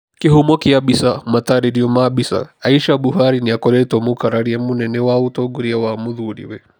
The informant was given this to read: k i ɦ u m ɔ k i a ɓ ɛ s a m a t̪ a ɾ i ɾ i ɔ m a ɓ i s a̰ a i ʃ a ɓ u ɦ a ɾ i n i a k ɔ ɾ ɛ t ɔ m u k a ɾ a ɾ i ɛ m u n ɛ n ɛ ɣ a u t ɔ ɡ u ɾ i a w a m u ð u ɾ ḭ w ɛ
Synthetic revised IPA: k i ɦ u m ɔ k i a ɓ i s a m a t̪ a ɾ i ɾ i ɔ m a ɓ i s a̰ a i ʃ a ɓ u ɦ a ɾ i n i a k ɔ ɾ ɛ t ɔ m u k a ɾ a ɾ i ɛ m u n ɛ n ɛ w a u t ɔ ɡ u ɾ i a w a m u ð u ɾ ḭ w ɛ